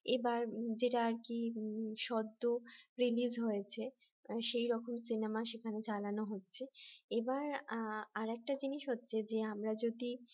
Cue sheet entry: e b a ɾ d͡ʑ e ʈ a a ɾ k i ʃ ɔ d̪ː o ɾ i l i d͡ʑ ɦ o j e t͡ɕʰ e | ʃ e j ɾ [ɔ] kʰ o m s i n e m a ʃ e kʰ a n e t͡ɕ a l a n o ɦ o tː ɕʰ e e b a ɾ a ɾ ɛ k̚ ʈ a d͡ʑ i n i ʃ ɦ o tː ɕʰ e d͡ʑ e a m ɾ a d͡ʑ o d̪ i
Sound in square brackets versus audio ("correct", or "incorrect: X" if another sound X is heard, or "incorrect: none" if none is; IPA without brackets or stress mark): correct